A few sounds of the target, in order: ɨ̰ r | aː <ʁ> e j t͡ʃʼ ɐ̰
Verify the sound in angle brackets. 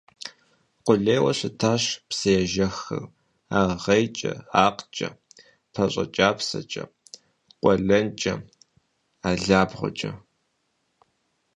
correct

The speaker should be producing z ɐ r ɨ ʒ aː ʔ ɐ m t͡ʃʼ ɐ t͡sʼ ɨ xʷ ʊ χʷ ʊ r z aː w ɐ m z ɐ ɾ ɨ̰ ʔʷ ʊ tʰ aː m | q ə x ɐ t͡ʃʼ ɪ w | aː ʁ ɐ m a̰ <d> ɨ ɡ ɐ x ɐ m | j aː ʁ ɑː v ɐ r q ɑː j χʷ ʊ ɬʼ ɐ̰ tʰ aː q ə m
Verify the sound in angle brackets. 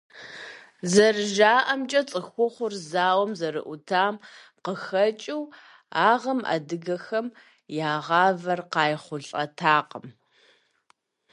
correct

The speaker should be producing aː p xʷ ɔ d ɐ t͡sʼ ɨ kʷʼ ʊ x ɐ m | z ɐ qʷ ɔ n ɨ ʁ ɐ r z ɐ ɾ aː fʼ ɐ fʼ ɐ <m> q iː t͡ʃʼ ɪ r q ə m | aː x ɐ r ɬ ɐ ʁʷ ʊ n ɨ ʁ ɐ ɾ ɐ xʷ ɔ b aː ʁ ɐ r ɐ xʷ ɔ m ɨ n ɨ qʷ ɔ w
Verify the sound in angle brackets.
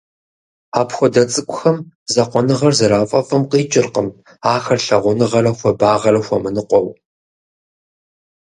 correct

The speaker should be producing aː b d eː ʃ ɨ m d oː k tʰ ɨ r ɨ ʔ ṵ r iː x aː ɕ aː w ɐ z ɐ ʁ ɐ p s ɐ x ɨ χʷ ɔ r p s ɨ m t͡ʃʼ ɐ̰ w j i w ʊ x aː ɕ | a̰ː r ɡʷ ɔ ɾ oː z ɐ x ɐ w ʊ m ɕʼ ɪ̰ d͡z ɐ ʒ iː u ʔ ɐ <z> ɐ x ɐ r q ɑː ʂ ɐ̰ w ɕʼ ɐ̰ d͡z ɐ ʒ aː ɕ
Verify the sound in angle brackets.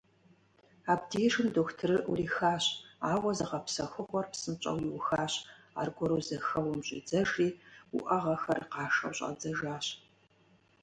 incorrect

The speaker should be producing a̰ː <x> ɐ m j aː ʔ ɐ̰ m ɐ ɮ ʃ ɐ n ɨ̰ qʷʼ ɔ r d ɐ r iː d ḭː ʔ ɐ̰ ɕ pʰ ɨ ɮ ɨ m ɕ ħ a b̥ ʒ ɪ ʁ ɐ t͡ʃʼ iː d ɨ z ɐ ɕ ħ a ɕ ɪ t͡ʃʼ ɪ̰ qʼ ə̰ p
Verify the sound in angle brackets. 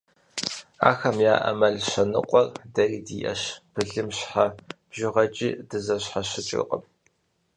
correct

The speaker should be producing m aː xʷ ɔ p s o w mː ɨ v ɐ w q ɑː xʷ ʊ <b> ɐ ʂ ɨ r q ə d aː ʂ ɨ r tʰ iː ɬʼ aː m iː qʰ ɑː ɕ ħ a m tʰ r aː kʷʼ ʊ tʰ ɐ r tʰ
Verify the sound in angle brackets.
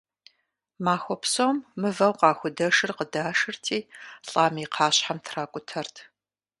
incorrect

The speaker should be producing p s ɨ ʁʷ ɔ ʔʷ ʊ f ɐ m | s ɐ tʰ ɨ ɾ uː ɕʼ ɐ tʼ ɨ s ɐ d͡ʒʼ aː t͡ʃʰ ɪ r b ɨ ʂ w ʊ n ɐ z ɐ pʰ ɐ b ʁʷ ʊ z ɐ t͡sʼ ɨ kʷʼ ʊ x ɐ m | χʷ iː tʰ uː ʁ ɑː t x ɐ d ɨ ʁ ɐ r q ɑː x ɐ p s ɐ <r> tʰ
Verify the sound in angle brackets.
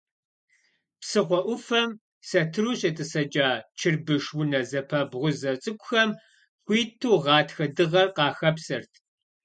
correct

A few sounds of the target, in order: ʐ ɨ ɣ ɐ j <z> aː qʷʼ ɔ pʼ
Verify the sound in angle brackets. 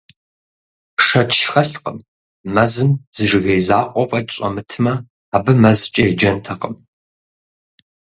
correct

